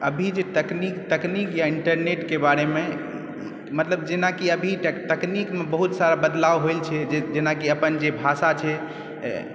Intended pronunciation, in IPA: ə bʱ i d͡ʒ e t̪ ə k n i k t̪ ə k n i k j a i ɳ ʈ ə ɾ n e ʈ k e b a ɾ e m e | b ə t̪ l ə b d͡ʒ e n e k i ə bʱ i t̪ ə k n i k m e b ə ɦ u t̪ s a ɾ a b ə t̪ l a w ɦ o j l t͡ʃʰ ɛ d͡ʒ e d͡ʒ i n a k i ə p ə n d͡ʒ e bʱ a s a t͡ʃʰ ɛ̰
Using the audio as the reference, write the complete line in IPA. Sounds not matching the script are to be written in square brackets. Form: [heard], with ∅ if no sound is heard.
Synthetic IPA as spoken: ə bʱ i d͡ʒ e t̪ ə k n i k t̪ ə k n i k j a i ɳ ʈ ə ɾ n e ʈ k e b a ɾ e m e | [m] ə t̪ l ə b d͡ʒ e n [a] k i ə bʱ i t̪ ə k n i k m e b ə ɦ u t̪ s a ɾ a b ə [d̪] l a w ɦ o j l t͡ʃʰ ɛ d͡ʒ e d͡ʒ [e] n a k i ə p ə n d͡ʒ e bʱ a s a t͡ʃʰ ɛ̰